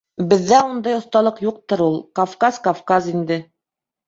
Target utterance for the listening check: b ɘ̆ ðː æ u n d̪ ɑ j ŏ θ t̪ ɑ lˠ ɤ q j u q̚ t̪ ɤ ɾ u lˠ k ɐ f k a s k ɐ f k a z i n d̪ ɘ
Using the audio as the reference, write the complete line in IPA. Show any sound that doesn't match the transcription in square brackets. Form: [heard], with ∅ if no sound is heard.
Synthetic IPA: b ɘ̆ ðː æ u n d̪ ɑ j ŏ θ t̪ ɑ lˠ ɤ q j u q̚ t̪ ɤ ɾ u lˠ k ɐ f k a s k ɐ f k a z i n d̪ ɘ